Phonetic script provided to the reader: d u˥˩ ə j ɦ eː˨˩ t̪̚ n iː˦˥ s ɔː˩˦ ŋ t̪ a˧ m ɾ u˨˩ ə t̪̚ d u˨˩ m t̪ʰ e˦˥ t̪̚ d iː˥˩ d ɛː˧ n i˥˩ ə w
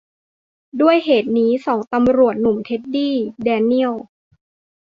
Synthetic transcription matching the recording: d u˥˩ ə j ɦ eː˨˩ t̪̚ n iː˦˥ s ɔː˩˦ ŋ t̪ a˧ m ɾ u˨˩ ə t̪̚ n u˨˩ m t̪ʰ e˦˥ t̪̚ d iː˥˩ d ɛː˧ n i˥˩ ə w